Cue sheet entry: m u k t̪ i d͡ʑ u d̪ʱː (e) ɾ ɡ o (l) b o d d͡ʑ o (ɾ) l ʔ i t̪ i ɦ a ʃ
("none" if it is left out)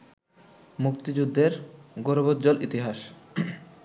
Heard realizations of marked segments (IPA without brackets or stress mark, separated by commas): e, ɾ, none